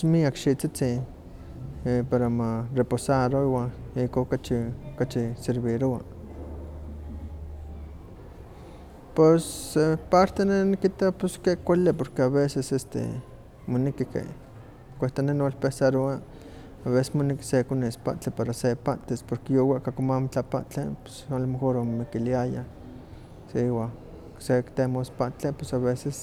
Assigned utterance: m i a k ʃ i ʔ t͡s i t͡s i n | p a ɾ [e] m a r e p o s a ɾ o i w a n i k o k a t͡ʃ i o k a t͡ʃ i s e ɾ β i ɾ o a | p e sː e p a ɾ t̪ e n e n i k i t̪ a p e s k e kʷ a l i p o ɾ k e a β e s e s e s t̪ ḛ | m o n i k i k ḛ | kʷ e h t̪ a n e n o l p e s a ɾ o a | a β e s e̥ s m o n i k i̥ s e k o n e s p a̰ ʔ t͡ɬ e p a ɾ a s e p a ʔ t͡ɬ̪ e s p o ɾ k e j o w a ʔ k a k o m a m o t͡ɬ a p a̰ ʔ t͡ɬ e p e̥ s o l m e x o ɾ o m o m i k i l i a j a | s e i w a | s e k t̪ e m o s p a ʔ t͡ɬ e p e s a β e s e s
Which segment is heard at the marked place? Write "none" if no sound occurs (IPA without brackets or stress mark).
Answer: a